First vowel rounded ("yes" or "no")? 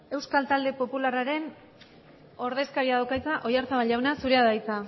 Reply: no